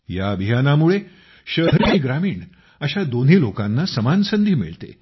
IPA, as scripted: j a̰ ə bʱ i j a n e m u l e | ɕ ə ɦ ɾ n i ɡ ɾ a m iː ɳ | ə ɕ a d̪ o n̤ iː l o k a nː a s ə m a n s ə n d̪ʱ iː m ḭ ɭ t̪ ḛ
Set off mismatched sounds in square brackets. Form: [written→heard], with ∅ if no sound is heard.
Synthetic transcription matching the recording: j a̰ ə bʱ i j a n [e→a] m u [l→ɭ] e | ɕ ə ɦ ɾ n i ɡ ɾ a m iː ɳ | ə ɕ a d̪ o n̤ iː l o k a nː a s ə m a n s ə n d̪ʱ iː m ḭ ɭ t̪ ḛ

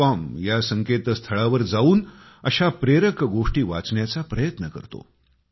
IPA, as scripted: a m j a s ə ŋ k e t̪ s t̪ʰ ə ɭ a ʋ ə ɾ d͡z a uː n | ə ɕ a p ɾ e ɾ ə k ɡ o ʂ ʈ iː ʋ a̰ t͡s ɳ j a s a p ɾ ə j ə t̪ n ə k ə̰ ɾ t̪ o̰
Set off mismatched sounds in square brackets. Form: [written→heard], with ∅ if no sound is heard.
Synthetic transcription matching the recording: a m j a s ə ŋ k e t̪ s t̪ʰ ə ɭ a ʋ ə ɾ d͡z a uː n | ə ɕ a p ɾ e ɾ ə k ɡ o ʂ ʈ iː ʋ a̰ t͡s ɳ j a [s→t͡s] a p ɾ ə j ə t̪ n ə k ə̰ ɾ t̪ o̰

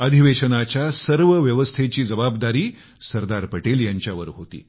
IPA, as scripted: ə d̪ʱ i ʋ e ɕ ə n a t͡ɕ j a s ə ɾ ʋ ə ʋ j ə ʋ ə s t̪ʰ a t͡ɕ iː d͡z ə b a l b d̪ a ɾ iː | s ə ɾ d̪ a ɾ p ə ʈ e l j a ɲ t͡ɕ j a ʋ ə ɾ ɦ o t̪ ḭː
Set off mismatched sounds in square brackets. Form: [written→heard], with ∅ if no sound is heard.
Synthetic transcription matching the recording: ə d̪ʱ i ʋ e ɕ ə n a t͡ɕ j a s ə ɾ ʋ ə ʋ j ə ʋ ə s t̪ʰ [a→e] t͡ɕ iː d͡z ə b a [l→∅] b d̪ a ɾ iː | s ə ɾ d̪ a ɾ p ə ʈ e l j a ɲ t͡ɕ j a ʋ ə ɾ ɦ o t̪ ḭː

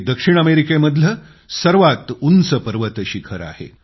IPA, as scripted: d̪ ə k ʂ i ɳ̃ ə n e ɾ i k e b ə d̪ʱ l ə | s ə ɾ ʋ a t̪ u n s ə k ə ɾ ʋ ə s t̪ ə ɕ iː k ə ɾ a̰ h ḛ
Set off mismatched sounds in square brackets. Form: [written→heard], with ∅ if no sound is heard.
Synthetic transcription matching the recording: d̪ ə k ʂ i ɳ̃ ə [n→m] e ɾ i k e [b→m] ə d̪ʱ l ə | s ə ɾ ʋ a t̪ u n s ə [k→p] ə ɾ ʋ ə [s→∅] t̪ ə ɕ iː [k→kʰ] ə ɾ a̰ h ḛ

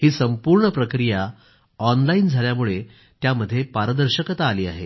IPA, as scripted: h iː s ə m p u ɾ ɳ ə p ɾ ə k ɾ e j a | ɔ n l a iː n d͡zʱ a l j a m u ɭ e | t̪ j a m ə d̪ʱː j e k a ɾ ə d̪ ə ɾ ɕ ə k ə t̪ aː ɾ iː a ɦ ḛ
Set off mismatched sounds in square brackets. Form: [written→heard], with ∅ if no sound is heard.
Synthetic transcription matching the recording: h iː s ə m p u ɾ ɳ ə p ɾ ə k ɾ [e→i] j a | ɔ n l a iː n d͡zʱ a l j a m u ɭ e | t̪ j a m ə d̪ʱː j e [k→p] a ɾ ə d̪ ə ɾ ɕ ə k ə t̪ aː [ɾ→l] iː a ɦ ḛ

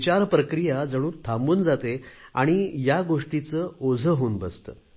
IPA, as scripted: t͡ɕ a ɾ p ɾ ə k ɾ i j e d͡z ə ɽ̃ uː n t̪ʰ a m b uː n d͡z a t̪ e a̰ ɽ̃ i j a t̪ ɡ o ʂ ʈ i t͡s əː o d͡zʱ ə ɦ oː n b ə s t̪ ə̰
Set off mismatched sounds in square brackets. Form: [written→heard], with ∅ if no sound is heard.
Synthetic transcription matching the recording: t͡ɕ a ɾ p ɾ ə k ɾ i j [e→a] d͡z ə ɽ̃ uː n t̪ʰ a m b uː n d͡z a t̪ e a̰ ɽ̃ i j a [t̪→∅] ɡ o ʂ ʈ i t͡s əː o d͡zʱ ə ɦ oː n b ə s t̪ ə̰

